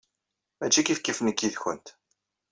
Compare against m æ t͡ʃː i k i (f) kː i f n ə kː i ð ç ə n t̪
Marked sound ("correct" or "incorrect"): correct